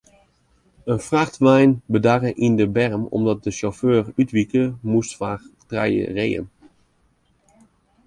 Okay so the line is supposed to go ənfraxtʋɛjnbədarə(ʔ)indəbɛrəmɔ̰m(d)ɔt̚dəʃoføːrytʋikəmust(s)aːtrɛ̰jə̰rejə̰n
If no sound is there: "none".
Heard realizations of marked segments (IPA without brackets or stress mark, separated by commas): ʔ, d, f